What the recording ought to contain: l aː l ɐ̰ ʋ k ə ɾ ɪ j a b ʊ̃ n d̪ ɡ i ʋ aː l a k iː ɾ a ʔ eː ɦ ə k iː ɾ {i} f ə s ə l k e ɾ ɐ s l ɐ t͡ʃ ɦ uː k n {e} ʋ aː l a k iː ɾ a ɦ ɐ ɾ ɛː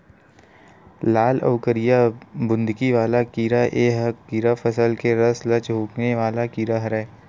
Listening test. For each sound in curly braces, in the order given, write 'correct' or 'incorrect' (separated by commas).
incorrect, correct